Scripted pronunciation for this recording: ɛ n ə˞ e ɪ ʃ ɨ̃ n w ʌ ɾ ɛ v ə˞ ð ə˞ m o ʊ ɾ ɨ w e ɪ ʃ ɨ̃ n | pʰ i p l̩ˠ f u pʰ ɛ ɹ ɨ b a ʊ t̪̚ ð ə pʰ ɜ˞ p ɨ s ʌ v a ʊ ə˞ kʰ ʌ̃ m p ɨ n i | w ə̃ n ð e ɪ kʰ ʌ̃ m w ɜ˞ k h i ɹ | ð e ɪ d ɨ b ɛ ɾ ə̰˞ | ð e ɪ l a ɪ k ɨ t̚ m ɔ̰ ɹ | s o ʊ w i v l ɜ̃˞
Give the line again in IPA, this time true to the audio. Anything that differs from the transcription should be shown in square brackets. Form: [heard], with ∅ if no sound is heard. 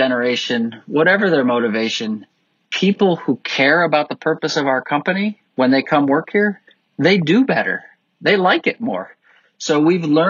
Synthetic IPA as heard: ɛ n ə˞ e ɪ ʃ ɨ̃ n w ʌ ɾ ɛ v ə˞ ð ə˞ m o ʊ ɾ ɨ [v] e ɪ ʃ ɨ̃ n | pʰ i p l̩ˠ [h] u [kʰ] ɛ ɹ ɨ b a ʊ t̪̚ ð ə pʰ ɜ˞ p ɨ s ʌ v a ʊ ə˞ kʰ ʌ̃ m p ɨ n i | w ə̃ n ð e ɪ kʰ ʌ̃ m w ɜ˞ k h i ɹ | ð e ɪ d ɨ b ɛ ɾ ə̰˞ | ð e ɪ l a ɪ k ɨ t̚ m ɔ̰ ɹ | s o ʊ w i v l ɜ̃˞